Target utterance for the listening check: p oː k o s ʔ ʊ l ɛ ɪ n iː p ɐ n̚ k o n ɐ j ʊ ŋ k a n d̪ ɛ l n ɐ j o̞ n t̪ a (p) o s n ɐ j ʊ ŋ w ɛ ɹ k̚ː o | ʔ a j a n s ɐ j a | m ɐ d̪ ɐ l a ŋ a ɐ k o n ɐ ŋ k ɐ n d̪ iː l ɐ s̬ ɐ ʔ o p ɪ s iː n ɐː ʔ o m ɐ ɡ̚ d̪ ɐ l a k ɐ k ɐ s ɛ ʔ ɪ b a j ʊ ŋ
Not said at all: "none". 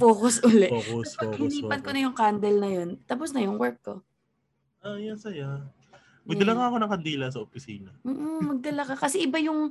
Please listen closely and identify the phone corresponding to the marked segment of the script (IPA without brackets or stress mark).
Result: p